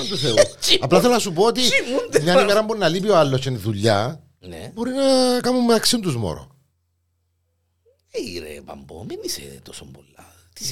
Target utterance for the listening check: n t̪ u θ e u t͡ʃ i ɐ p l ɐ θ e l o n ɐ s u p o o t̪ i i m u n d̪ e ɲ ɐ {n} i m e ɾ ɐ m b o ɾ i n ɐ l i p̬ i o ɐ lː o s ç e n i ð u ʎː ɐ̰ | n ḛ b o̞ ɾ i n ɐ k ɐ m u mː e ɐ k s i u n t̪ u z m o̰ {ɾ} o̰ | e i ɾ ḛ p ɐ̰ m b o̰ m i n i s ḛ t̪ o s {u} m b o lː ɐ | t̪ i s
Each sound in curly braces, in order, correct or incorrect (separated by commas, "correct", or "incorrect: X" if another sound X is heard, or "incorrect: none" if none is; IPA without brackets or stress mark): correct, correct, incorrect: o